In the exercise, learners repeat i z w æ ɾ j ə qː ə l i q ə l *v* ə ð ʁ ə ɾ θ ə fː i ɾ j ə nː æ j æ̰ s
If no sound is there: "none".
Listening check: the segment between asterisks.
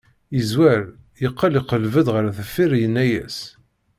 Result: v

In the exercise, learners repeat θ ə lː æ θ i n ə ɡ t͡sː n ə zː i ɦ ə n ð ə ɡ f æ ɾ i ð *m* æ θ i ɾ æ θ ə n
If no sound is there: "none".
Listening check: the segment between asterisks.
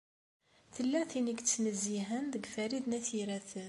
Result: n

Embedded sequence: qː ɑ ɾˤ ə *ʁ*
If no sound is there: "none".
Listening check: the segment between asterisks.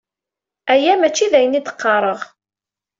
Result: ʁ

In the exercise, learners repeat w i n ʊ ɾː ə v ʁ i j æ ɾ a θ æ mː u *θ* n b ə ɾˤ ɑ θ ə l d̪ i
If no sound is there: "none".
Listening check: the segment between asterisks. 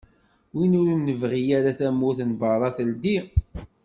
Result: θ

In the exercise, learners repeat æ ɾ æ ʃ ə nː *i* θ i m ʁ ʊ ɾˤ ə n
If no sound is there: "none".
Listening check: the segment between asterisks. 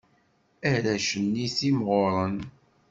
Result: i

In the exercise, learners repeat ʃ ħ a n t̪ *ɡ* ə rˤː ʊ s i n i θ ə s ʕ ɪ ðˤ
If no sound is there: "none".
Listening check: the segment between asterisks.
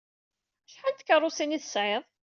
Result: k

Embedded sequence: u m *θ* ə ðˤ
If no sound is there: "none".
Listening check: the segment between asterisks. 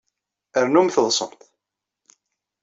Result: θ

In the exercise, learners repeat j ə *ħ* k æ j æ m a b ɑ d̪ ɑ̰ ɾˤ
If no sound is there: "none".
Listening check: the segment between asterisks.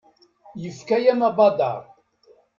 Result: f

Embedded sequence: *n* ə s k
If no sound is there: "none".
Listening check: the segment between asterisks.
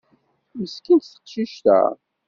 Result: m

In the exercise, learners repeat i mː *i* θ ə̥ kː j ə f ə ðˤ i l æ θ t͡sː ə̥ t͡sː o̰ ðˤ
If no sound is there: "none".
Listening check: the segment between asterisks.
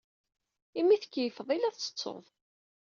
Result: i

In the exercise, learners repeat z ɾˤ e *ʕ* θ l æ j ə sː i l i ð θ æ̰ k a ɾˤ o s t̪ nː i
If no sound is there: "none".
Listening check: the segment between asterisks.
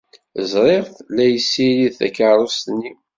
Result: ʁ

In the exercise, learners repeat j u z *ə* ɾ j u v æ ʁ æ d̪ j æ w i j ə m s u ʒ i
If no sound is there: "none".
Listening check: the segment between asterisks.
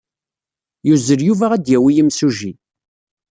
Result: ə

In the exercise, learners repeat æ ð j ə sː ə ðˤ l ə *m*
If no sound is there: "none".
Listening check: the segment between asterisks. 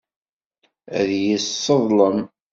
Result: m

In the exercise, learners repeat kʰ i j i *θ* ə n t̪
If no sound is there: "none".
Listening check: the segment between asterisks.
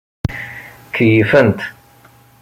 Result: f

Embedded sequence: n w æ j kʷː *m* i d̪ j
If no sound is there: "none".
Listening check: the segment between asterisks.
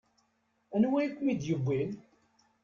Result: m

